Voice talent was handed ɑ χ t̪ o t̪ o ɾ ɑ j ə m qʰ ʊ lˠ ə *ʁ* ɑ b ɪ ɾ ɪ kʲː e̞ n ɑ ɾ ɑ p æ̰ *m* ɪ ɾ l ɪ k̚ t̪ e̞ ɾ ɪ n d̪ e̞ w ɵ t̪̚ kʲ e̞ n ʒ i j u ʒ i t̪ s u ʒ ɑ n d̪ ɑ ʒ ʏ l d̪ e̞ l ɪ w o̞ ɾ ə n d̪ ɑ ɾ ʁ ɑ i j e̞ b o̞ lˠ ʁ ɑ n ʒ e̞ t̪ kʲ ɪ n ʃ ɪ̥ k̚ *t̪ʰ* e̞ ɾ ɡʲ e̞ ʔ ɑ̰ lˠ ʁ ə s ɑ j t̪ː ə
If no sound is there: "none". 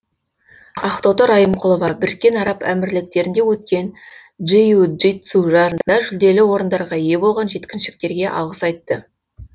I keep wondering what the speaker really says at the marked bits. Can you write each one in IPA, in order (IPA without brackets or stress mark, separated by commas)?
v, m, t̪